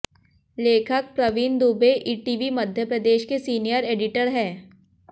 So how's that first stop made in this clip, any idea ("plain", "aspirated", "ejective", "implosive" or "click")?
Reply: aspirated